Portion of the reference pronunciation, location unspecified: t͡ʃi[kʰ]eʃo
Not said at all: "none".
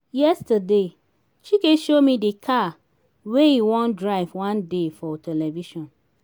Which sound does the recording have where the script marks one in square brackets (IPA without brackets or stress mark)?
k